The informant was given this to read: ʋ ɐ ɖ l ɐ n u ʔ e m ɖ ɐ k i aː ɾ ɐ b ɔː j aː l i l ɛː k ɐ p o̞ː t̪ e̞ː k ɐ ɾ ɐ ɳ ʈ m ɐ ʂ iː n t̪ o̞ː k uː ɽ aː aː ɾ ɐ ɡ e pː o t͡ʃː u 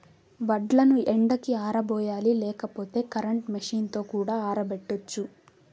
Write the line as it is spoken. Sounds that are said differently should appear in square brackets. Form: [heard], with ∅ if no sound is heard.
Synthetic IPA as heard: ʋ ɐ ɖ l ɐ n u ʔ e [ɳ] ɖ ɐ k i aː ɾ ɐ b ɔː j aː l i l ɛː k ɐ p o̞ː t̪ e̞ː k ɐ ɾ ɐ ɳ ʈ m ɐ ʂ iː n t̪ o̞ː k uː ɽ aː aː ɾ ɐ [b] e [ʈː] o t͡ʃː u